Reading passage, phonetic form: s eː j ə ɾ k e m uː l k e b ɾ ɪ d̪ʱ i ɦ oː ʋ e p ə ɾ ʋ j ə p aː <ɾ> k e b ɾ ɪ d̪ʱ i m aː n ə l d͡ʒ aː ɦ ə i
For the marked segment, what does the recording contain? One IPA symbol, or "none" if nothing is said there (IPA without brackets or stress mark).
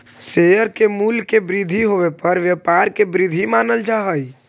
ɾ